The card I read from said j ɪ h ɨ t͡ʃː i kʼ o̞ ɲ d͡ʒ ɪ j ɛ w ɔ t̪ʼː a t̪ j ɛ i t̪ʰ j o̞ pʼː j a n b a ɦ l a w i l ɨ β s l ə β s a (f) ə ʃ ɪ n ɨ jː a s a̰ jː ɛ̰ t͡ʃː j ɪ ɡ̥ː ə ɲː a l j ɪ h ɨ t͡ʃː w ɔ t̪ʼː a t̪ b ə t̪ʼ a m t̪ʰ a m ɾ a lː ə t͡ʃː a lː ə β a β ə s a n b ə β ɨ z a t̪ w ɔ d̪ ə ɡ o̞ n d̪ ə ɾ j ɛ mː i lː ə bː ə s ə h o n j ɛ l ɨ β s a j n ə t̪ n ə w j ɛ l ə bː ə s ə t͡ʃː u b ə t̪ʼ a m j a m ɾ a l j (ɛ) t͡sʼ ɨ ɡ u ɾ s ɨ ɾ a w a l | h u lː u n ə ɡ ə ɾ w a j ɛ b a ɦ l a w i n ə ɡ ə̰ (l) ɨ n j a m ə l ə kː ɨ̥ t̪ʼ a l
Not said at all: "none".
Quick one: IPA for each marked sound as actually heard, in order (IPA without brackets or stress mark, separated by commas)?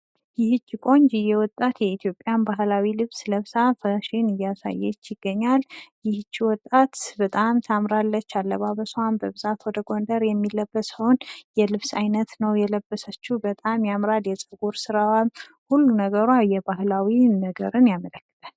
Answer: f, ɛ, ɾ